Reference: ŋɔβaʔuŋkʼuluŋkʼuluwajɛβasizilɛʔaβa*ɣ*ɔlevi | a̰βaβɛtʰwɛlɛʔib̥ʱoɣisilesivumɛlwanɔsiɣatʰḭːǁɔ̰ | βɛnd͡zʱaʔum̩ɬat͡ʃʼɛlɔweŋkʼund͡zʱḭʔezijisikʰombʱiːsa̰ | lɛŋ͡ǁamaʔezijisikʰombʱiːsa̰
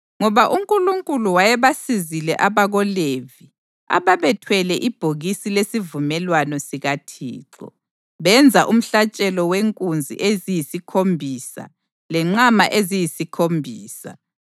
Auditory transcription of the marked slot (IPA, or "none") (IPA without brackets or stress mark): ɣ